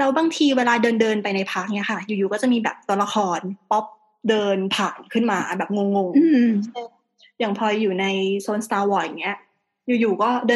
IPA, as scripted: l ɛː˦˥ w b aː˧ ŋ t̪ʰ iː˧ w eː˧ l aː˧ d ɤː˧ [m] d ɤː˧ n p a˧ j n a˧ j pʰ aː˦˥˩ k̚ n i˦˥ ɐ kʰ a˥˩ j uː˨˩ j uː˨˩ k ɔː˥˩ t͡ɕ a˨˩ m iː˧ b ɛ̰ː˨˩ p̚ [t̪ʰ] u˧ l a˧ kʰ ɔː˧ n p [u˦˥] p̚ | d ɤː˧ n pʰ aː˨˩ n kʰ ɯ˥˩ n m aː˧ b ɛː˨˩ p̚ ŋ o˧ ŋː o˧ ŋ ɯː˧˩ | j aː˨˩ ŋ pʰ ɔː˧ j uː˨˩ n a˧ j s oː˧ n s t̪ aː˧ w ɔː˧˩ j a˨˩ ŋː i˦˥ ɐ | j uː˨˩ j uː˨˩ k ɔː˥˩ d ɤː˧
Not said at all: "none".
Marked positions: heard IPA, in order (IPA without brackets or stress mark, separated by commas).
n, t̪, ɔ˦˥